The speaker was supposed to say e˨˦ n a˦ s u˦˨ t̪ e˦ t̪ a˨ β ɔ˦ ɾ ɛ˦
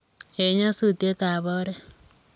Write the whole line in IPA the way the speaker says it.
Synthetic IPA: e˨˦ ɲ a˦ s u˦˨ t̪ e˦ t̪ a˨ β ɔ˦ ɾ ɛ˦